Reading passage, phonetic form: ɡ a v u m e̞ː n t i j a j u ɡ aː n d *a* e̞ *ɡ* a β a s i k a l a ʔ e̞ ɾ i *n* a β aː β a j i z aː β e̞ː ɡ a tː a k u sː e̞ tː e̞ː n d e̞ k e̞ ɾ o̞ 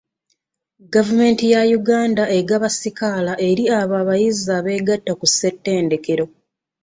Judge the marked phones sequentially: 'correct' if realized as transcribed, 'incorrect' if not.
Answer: correct, correct, incorrect: none

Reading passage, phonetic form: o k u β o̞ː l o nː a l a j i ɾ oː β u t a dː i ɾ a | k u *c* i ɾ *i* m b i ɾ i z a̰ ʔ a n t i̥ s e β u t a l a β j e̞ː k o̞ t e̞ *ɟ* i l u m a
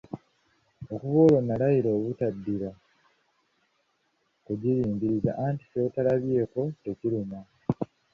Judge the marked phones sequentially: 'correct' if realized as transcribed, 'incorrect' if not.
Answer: incorrect: ɟ, incorrect: iː, incorrect: c

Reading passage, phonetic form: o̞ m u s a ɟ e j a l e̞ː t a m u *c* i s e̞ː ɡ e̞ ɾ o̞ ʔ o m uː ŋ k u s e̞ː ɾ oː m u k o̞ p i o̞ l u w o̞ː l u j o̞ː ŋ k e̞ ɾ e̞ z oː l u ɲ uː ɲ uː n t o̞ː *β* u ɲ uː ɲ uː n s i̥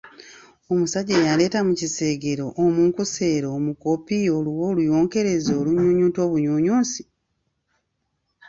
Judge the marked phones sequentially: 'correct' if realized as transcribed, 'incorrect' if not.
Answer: correct, correct

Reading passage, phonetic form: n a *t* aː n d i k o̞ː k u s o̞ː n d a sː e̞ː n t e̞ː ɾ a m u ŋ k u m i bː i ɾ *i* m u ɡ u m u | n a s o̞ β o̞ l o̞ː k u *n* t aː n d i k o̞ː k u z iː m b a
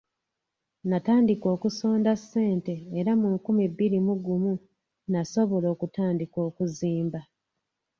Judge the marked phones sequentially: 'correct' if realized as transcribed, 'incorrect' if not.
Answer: correct, correct, incorrect: none

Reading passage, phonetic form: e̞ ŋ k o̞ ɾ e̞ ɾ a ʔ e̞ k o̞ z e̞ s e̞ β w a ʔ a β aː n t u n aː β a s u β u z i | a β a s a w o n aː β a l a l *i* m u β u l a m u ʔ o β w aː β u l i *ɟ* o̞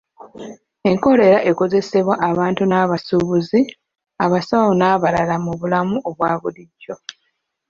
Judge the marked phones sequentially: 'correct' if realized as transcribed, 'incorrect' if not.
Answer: incorrect: a, incorrect: ɟː

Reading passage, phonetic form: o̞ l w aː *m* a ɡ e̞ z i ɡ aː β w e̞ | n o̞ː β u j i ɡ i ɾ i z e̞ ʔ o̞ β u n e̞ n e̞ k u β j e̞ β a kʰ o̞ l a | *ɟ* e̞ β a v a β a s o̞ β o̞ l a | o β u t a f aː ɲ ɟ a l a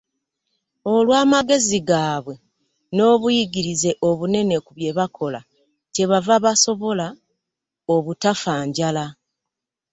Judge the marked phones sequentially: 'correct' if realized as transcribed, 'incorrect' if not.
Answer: correct, incorrect: c

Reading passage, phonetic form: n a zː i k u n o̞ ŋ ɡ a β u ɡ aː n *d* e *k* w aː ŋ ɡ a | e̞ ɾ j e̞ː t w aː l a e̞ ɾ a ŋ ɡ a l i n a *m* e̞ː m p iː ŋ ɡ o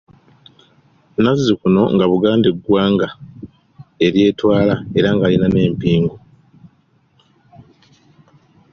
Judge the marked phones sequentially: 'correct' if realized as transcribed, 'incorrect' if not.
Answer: correct, incorrect: ɡ, incorrect: n

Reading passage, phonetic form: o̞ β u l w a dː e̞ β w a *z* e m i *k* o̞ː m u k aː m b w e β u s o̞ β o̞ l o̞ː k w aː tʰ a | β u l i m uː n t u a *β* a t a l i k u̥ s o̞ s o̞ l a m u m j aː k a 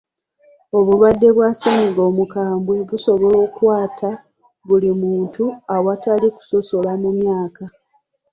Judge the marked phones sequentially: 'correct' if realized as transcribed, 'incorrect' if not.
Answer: incorrect: s, incorrect: ɡ, incorrect: w

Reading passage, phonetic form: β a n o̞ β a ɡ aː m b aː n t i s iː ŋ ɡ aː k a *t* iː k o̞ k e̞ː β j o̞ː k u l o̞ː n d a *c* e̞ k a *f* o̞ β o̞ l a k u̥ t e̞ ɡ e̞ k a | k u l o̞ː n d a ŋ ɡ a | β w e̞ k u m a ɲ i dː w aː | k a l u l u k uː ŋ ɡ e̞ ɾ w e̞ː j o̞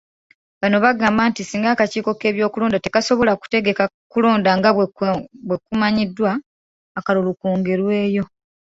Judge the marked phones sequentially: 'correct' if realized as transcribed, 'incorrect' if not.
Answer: incorrect: c, incorrect: t, incorrect: s

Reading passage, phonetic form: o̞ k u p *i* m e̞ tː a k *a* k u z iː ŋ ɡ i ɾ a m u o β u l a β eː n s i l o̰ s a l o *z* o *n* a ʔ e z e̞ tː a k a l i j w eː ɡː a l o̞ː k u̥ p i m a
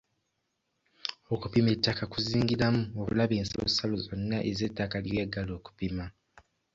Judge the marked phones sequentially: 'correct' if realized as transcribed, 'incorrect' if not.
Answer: correct, correct, correct, incorrect: nː

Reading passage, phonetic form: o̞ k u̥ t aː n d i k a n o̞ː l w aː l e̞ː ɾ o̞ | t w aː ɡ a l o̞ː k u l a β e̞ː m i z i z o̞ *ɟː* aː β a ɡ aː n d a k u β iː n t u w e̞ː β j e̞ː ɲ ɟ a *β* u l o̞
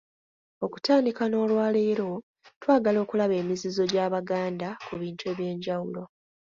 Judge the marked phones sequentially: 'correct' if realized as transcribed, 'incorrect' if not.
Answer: incorrect: ɟ, incorrect: w

